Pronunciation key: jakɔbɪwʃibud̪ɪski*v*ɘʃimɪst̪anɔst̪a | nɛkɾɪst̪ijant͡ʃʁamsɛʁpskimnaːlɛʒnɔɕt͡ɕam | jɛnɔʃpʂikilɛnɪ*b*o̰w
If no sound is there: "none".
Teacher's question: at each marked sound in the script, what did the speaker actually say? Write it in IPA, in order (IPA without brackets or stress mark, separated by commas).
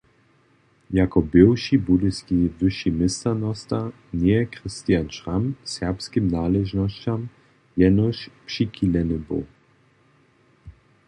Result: v, b